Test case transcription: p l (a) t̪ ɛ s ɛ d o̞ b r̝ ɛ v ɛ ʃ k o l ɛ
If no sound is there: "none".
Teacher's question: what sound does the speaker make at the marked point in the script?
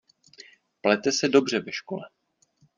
ɛ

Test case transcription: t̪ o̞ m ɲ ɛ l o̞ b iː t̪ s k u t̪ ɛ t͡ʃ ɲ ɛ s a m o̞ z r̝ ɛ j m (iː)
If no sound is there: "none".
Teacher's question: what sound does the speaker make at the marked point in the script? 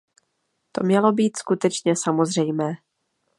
ɛː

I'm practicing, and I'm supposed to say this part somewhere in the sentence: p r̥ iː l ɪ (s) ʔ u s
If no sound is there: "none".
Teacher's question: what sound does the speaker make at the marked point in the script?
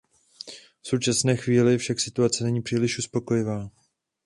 ʃ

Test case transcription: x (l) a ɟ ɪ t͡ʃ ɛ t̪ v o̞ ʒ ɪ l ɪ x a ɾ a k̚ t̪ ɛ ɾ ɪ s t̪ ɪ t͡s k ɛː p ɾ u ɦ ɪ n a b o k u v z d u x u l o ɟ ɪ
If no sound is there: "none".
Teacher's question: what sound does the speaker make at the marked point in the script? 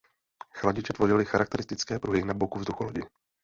l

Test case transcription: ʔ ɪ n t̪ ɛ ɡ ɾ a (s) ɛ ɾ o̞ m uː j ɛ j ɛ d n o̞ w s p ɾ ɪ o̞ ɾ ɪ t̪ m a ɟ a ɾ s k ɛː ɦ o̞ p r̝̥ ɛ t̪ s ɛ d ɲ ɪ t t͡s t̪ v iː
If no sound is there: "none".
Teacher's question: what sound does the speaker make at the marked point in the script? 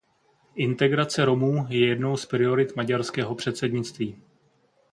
t͡s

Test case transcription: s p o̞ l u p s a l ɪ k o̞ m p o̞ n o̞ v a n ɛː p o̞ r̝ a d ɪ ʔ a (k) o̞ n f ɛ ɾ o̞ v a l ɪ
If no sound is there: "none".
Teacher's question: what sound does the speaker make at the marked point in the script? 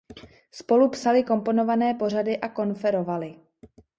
k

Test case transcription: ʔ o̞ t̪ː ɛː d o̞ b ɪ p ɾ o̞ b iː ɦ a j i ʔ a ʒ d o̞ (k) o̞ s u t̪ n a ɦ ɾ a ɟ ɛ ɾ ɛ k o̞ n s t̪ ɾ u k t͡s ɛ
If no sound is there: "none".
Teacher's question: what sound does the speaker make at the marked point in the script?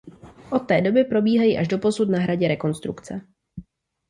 p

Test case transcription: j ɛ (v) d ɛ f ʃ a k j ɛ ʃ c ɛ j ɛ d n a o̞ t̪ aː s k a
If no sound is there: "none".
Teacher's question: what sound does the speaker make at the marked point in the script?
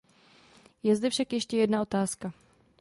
z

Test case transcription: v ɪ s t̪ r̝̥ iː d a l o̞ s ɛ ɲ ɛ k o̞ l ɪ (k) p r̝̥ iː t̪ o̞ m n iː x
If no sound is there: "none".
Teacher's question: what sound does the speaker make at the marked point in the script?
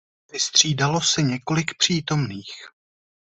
k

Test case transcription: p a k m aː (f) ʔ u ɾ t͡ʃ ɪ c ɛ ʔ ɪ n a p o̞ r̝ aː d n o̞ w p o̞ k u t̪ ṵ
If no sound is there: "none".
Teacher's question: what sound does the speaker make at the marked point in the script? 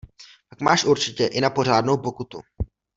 ʃ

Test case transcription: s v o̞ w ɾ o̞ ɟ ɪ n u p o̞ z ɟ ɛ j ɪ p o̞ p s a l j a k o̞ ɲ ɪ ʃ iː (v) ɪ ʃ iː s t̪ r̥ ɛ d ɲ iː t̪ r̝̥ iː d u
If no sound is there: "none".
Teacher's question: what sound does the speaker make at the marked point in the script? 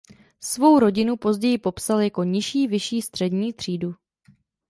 v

